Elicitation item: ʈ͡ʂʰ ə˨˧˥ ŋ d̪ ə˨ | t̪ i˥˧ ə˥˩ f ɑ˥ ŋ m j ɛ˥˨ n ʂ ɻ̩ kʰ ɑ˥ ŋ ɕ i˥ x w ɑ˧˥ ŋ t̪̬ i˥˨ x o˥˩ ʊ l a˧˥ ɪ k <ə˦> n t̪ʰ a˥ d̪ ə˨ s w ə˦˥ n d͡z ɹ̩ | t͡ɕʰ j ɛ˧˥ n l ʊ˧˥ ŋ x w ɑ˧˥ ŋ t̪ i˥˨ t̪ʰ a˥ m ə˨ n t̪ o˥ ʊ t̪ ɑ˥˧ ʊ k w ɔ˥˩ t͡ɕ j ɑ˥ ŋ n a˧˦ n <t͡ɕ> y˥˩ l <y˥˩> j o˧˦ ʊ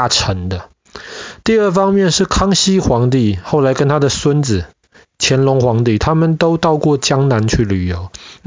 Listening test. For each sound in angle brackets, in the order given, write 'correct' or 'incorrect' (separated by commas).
correct, incorrect, incorrect